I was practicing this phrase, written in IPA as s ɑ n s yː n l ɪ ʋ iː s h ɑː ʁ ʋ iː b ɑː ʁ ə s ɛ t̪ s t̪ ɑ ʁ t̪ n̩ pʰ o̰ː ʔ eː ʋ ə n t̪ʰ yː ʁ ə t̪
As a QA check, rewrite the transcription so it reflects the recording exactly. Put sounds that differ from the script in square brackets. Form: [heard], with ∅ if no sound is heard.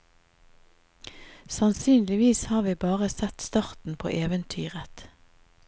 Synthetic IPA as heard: s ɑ n s yː n l ɪ ʋ iː s h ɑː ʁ ʋ iː b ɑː ʁ ə s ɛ t̪ s t̪ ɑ ʁ t̪ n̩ pʰ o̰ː ʔ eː ʋ ə n t̪ʰ yː ʁ ə t̪